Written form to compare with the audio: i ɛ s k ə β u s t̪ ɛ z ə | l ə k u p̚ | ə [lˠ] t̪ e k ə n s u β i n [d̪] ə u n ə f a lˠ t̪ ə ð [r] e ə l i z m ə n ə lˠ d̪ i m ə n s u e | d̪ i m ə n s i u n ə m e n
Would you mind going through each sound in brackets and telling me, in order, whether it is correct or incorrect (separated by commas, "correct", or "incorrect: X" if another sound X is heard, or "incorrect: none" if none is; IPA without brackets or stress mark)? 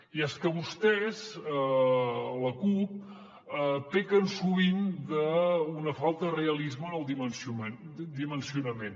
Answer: incorrect: none, correct, correct